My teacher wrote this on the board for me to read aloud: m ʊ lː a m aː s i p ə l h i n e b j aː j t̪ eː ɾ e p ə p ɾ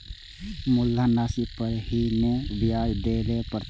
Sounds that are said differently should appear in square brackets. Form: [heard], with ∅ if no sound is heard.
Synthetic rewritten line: m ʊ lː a [n] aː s i p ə [ɾ] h i n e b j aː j [d̪] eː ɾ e p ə [∅] ɾ